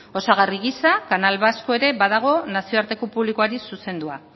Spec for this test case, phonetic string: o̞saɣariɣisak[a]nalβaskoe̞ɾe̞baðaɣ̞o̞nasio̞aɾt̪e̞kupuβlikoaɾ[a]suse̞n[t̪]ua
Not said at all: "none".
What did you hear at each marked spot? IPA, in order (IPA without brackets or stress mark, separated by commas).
a, i, d̪